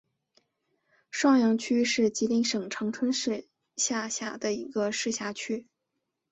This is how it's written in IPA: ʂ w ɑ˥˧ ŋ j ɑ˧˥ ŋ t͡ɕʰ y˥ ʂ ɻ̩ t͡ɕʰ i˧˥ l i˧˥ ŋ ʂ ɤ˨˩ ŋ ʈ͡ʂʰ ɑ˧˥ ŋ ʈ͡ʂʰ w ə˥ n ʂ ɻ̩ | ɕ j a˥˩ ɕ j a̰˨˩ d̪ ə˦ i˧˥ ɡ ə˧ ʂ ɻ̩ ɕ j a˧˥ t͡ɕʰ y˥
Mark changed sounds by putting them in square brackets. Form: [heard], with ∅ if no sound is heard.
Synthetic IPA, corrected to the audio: ʂ w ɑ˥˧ ŋ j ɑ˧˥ ŋ t͡ɕʰ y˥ ʂ ɻ̩ [t͡ɕ] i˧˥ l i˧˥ ŋ ʂ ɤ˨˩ ŋ ʈ͡ʂʰ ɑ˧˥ ŋ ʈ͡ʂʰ w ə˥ n ʂ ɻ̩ | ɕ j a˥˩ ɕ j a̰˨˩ d̪ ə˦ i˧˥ ɡ ə˧ ʂ ɻ̩ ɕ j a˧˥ t͡ɕʰ y˥